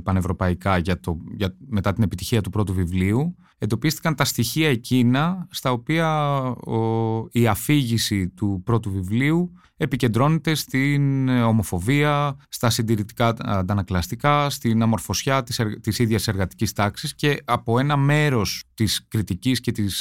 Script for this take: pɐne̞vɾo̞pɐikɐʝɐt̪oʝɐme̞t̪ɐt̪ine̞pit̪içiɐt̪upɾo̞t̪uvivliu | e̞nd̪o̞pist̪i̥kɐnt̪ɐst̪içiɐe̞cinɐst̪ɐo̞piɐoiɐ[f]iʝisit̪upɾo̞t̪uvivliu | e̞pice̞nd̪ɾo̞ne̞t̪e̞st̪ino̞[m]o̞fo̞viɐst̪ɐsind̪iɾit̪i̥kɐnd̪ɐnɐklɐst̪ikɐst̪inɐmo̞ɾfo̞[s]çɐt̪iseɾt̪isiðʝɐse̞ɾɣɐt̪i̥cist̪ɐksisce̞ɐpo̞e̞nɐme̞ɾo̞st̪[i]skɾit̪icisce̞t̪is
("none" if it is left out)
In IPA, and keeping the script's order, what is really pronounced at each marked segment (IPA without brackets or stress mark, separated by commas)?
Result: f, m, s, i